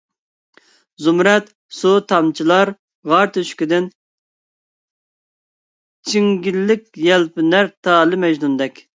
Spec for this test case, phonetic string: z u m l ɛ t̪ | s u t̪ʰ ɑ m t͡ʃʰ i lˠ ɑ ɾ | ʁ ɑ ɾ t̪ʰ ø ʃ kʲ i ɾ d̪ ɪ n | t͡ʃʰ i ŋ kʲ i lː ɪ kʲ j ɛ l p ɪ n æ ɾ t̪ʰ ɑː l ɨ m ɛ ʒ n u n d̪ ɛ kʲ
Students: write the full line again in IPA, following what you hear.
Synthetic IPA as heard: z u m ɾ ɛ t̪ | s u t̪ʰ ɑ m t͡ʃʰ i lˠ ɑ ɾ | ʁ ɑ ɾ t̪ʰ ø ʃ kʲ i d̪ ɪ n | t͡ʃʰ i ŋ ɡʲ i lː ɪ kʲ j ɛ l p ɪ n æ ɾ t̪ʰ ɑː l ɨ m ɛ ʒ n u n d̪ ɛ kʲ

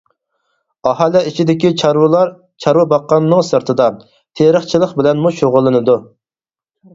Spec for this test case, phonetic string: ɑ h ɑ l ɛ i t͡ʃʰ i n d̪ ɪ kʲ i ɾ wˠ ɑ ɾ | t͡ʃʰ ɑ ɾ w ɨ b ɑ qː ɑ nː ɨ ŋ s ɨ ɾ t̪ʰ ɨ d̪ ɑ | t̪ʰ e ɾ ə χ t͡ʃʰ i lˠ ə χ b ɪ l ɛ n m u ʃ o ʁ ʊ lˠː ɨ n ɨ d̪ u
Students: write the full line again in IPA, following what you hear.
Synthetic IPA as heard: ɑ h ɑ l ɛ i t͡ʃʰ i d̪ ɪ kʲ i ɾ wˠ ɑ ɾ | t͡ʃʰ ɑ ɾ w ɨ b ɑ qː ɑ nː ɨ ŋ s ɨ ɾ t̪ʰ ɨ d̪ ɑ | t̪ʰ e ɾ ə χ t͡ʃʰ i lˠ ə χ b ɪ l ɛ n m u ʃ o ʁ ʊ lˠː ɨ n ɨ d̪ u

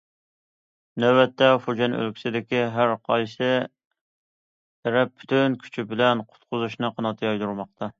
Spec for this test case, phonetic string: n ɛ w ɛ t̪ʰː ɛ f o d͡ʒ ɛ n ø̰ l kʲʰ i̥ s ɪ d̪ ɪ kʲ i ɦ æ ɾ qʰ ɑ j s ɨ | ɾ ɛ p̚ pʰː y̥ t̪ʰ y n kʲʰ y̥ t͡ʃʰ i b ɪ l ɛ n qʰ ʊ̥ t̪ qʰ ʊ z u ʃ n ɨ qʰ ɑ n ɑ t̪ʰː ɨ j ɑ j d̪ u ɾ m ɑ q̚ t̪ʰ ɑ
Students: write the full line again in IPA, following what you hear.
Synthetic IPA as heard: n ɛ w ɛ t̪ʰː ɛ f o d͡ʒ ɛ n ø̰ l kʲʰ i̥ s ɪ d̪ ɪ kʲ i ɦ æ ɾ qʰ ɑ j s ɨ | ɾ ɛ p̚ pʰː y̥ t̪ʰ y n kʲʰ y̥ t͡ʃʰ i b ɪ l ɛ n qʰ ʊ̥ t̪ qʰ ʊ z u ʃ n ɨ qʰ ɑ n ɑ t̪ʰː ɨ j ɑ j d̪ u ɾ m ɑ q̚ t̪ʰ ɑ

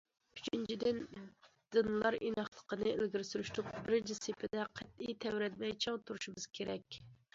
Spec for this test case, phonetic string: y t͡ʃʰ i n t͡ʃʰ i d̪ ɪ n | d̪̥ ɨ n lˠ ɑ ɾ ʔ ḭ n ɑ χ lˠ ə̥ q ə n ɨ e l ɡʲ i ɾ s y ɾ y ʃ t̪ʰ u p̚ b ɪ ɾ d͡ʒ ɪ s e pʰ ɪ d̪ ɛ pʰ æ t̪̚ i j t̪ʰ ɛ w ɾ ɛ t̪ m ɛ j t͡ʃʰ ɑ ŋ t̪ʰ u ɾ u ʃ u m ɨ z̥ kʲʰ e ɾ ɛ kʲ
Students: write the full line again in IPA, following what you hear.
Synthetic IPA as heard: y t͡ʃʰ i n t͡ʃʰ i d̪ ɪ n | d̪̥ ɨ n lˠ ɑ ɾ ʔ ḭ n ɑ χ lˠ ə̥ q ə n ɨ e l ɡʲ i ɾ s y ɾ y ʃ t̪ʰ u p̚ b ɪ ɾ d͡ʒ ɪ s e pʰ ɪ d̪ ɛ qʰ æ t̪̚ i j t̪ʰ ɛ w ɾ ɛ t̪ m ɛ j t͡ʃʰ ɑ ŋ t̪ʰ u ɾ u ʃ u m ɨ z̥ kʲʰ e ɾ ɛ kʲ

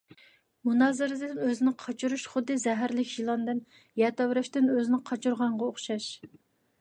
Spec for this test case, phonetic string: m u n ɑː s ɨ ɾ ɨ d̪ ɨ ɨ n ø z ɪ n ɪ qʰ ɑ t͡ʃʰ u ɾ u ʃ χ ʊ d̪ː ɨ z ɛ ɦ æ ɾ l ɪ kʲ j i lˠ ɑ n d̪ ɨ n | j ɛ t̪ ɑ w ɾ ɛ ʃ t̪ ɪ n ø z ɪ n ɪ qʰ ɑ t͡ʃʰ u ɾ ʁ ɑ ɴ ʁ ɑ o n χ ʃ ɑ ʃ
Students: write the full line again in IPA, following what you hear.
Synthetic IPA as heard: m u n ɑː z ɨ ɾ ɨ d̪ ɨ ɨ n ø z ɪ n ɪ qʰ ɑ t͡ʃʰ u ɾ u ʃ χ ʊ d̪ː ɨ z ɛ ɦ æ ɾ l ɪ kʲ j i lˠ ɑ n d̪ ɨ n | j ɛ t̪ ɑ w ɾ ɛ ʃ t̪ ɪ n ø z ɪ n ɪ qʰ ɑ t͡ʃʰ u ɾ ʁ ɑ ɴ ʁ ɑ o χ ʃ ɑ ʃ

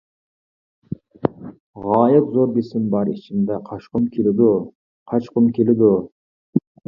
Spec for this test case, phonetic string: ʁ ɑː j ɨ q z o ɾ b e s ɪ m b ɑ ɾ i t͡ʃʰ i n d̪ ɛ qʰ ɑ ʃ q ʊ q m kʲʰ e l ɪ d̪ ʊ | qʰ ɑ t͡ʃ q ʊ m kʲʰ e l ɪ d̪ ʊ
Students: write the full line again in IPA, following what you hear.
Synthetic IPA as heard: ʁ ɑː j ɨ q z o ɾ b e s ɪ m b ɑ ɾ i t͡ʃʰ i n d̪ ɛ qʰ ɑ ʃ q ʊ m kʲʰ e l ɪ d̪ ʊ | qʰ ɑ t͡ʃ q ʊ m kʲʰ e l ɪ d̪ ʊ

